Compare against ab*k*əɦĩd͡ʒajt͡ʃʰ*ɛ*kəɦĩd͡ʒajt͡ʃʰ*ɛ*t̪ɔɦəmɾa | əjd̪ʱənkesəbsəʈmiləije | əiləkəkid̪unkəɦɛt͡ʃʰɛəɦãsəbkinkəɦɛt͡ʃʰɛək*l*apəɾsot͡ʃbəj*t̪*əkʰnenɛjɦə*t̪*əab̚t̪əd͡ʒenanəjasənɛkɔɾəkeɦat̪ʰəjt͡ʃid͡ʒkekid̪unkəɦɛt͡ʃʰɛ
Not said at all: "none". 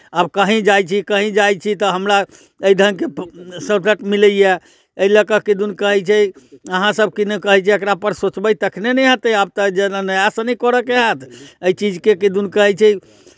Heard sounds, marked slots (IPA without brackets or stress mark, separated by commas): k, i, i, ɾ, t̪, t̪